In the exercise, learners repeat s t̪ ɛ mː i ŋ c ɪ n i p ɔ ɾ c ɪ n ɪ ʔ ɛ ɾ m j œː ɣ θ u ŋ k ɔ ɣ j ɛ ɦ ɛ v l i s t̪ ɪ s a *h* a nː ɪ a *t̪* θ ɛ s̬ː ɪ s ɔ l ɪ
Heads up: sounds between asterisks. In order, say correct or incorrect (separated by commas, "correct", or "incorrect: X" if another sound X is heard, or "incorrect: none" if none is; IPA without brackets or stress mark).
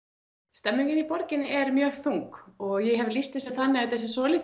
incorrect: θ, correct